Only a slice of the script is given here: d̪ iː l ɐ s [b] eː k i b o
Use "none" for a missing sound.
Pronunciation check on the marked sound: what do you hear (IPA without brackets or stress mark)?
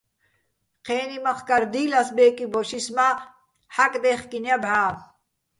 b